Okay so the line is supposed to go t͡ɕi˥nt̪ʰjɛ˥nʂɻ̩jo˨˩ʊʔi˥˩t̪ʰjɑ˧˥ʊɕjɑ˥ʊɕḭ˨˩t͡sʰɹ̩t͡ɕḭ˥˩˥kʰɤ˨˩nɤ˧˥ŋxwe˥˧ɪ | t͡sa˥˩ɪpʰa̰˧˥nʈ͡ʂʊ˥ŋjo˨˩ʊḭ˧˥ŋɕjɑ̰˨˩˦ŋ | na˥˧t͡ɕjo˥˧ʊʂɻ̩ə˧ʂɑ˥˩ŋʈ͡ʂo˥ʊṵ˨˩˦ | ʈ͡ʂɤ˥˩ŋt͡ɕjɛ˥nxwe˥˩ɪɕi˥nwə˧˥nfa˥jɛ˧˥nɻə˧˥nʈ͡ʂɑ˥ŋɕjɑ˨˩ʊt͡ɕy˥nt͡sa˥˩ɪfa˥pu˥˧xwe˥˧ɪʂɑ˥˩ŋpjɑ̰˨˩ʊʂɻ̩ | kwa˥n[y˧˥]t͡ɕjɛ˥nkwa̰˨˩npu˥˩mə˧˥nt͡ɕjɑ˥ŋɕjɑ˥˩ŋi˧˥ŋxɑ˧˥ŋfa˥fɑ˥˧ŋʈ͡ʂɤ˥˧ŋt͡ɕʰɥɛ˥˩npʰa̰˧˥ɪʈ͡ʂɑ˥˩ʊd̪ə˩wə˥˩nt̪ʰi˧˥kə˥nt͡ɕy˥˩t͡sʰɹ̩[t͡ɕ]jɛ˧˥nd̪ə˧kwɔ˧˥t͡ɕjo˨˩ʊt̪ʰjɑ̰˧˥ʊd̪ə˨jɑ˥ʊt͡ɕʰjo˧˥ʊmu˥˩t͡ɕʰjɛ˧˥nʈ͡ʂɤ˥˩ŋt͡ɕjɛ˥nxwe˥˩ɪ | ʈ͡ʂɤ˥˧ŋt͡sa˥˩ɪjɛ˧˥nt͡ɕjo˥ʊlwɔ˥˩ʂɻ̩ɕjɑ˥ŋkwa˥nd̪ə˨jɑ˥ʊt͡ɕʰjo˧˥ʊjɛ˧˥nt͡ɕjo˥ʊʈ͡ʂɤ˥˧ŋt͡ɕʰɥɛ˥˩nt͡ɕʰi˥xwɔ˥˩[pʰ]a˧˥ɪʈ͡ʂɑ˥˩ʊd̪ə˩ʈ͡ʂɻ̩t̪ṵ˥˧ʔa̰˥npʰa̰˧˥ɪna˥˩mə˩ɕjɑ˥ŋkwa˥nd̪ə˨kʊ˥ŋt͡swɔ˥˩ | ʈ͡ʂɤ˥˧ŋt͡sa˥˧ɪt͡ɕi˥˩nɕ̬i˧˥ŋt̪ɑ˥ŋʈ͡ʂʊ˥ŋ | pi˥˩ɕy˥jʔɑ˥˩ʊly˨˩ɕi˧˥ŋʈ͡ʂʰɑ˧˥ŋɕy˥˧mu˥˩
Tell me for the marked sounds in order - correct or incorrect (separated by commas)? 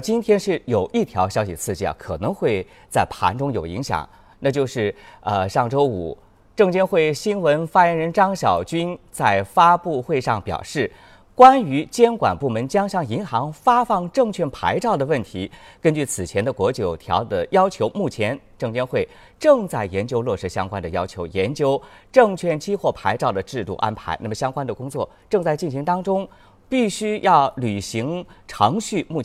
correct, incorrect, correct